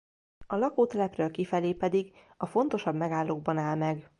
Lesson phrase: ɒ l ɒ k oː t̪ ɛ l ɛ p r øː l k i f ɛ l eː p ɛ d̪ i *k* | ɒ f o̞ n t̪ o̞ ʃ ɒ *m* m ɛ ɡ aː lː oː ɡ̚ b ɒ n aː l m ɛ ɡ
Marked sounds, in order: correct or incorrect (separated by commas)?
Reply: incorrect, incorrect